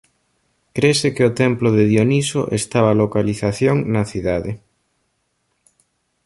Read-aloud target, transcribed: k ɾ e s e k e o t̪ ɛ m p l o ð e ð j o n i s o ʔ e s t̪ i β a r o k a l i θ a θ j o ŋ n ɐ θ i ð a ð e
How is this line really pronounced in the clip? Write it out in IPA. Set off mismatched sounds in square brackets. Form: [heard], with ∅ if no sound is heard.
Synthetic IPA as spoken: k ɾ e s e k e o t̪ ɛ m p l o ð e ð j o n i s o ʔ e s t̪ [a] β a [l] o k a l i θ a θ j o ŋ n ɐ θ i ð a ð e